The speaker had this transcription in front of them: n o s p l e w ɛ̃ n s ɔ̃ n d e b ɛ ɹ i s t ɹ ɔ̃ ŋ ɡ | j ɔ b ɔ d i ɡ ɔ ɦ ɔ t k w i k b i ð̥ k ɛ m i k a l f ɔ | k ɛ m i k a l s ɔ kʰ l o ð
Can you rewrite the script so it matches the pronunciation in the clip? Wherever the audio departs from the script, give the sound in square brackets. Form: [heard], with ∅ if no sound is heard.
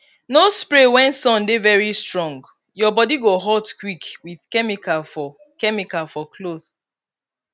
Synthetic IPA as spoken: n o s p [ɹ] e w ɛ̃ n s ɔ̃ n d e [v] ɛ ɹ i s t ɹ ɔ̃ ŋ ɡ | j ɔ b ɔ d i ɡ [o] ɦ ɔ t k w i k [w] i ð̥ k ɛ m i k a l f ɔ | k ɛ m i k a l [f] ɔ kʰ l o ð

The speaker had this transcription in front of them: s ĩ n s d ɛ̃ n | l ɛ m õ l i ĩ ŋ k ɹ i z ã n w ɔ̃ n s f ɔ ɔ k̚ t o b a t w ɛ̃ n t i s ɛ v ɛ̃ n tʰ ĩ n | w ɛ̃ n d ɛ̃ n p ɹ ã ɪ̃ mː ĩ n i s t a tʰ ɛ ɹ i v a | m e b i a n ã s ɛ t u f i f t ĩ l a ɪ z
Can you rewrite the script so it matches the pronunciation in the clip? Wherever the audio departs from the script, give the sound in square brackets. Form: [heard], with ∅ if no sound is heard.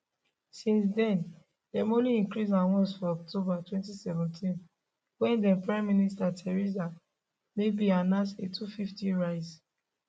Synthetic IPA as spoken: s ĩ n s d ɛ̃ n | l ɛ m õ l i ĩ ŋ k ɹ i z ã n w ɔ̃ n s f ɔ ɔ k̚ t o b a t w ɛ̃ n t i s ɛ v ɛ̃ n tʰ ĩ n | w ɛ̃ n d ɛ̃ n p ɹ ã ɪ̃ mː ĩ n i s t a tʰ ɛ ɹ i [z] a | m e b i a n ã s [e] t u f i f t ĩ [ɹ] a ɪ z

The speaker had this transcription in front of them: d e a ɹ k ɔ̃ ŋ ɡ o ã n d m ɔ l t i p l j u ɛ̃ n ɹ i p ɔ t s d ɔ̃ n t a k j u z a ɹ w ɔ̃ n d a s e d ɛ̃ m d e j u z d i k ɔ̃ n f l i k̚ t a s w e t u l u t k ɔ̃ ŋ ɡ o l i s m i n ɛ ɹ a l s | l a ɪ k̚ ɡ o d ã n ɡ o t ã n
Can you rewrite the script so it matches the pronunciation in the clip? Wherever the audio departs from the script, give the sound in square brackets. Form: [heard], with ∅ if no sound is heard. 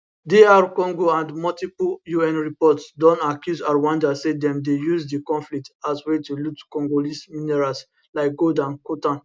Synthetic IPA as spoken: d e a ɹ k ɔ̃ ŋ ɡ o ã n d m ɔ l t i p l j u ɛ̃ n ɹ i p ɔ t s d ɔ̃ n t a k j u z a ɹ w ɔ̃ n d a s e d ɛ̃ m d e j u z d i k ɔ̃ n f l i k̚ t a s w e t u l u t k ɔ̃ ŋ ɡ o l i s m i n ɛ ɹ a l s | l a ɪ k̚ ɡ o d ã n [k] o t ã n

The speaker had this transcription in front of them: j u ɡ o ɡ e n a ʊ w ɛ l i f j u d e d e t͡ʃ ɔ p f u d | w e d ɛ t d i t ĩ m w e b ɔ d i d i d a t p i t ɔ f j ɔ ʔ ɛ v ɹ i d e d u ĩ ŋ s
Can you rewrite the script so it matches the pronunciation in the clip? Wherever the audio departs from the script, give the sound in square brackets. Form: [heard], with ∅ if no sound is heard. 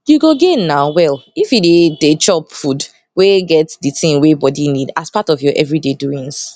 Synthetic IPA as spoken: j u ɡ o ɡ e n a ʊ w ɛ l i f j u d e d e t͡ʃ ɔ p f u d | w e [ɡ] ɛ t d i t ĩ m w e b ɔ d i [n] i d a [s] p [a] t ɔ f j ɔ ʔ ɛ v ɹ i d e d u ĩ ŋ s

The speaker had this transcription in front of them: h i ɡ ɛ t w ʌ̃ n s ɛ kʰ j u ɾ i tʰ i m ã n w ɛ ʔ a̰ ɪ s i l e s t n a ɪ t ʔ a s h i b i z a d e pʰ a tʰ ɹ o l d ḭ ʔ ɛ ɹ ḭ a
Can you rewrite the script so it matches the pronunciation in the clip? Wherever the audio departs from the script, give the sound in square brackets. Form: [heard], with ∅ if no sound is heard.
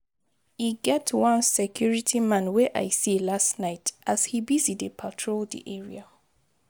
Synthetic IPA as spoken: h i ɡ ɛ t w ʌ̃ n s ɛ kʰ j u [ɹ] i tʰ i m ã n w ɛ ʔ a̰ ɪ s i l [a] s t n a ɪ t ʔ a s h i b i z [i] d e pʰ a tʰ ɹ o l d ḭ ʔ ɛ ɹ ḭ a

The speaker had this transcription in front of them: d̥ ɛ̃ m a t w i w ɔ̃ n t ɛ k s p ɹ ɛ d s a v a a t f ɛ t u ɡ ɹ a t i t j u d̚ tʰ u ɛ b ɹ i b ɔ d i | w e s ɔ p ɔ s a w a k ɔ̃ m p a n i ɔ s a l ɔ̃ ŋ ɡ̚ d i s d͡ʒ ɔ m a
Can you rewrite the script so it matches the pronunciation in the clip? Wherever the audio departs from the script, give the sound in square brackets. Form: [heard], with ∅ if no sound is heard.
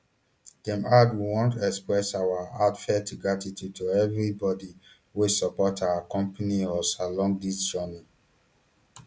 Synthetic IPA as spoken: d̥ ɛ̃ m a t w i w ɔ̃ n t ɛ k s p ɹ ɛ [∅] s a [w] a a t f ɛ t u ɡ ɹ a t i t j u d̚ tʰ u ɛ [v] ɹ i b ɔ d i | w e s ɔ p ɔ [t] a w a k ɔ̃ m p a n i ɔ s a l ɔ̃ ŋ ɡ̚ d i s d͡ʒ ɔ [n] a

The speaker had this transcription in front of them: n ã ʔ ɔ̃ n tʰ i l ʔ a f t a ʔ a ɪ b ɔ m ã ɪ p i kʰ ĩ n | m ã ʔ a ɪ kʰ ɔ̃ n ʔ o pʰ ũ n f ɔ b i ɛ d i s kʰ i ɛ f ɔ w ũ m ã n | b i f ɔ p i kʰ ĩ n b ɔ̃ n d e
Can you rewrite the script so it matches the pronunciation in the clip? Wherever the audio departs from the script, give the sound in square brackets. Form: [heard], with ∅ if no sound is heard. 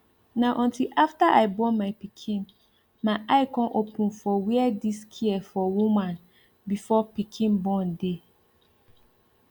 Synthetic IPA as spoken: n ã ʔ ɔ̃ n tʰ i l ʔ a f t a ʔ a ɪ b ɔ m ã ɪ p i kʰ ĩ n | m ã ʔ a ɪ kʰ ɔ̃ n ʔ o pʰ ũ n f ɔ [w] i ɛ d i s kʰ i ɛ f ɔ w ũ m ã n | b i f ɔ p i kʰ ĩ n b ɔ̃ n d e

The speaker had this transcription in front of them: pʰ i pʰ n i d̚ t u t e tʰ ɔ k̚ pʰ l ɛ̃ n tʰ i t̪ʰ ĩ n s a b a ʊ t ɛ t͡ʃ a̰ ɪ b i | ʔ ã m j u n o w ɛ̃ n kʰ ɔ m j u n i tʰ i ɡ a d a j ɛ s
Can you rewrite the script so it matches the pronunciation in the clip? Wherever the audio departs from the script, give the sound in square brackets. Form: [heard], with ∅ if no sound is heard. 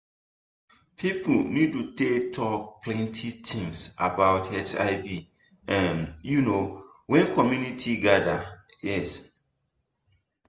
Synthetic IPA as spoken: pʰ i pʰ n i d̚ t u t e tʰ ɔ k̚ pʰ l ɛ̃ n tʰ i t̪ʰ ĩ [ŋ] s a b a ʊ t ɛ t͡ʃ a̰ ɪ b i | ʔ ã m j u n o w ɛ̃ n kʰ ɔ m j u n i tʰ i ɡ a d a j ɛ s

